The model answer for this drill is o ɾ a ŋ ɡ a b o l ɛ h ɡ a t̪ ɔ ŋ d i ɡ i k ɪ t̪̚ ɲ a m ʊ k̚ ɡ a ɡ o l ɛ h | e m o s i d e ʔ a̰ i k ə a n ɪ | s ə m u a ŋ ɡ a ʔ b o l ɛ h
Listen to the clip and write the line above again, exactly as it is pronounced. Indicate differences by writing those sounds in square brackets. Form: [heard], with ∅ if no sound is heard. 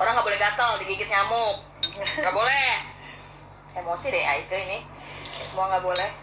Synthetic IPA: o ɾ a ŋ ɡ a b o l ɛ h ɡ a t̪ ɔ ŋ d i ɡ i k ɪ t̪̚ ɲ a m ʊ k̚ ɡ a [b] o l ɛ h | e m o s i d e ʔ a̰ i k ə [i] n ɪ | s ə m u a ŋ ɡ a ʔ b o l ɛ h